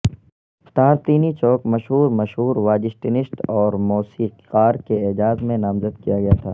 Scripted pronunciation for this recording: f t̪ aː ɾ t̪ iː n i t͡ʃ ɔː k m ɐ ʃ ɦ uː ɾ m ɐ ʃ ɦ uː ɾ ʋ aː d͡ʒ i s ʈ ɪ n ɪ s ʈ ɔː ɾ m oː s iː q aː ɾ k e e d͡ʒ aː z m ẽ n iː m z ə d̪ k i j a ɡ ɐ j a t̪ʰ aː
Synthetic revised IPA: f t̪ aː ɾ t̪ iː n i t͡ʃ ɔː k m ɐ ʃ ɦ uː ɾ m ɐ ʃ ɦ uː ɾ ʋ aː d͡ʒ ɪ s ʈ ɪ n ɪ s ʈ ɔː ɾ m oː s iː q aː ɾ k e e d͡ʒ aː z m ẽ n aː m z ə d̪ k i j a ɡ ɐ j a t̪ʰ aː